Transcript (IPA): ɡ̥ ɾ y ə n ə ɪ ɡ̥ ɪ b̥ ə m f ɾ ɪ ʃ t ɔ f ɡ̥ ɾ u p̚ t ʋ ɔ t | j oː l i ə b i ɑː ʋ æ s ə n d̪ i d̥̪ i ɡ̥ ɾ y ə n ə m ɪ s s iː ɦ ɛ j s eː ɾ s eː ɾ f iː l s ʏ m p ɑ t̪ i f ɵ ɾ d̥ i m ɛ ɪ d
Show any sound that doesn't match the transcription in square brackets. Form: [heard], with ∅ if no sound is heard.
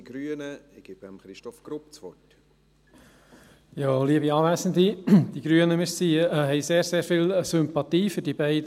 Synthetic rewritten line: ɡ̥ ɾ y ə n ə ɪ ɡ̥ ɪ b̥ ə m [χ] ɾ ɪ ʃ t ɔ f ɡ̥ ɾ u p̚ [t͡s] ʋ ɔ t | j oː l i ə b i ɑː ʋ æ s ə n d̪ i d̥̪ i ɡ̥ ɾ y ə n ə m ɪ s s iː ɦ ɛ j s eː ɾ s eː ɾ f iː l s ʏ m p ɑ t̪ [iː] f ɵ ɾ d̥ i [b] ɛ ɪ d